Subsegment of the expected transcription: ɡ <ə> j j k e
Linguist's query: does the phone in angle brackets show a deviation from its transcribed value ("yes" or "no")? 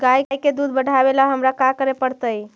yes